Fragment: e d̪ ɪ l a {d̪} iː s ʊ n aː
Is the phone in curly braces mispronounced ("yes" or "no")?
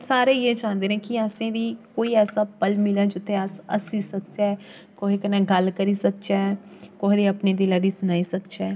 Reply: no